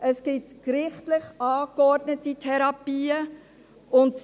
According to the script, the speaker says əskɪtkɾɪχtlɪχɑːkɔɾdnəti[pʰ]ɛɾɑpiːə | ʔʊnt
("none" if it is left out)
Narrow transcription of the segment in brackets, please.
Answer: tʰ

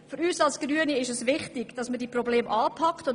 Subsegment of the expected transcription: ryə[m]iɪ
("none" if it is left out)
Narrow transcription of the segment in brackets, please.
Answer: n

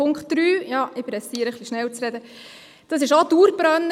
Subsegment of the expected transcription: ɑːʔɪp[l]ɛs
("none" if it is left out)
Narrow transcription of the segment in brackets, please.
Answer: ɾ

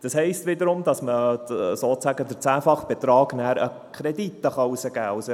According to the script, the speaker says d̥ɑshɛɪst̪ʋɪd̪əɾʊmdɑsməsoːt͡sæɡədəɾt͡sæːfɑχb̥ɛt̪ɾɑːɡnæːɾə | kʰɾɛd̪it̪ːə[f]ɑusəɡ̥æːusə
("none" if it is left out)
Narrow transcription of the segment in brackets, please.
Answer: χ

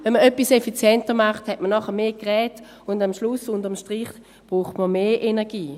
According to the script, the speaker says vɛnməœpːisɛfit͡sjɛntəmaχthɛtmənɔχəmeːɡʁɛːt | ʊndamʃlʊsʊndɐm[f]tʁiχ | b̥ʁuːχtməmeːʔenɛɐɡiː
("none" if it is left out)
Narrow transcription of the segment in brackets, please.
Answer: ʃ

